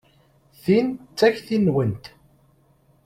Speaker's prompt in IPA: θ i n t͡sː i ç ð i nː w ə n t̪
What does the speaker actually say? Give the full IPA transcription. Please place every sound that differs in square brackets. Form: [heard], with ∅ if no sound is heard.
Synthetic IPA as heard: θ i n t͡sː [æ] ç [θ] i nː w ə n t̪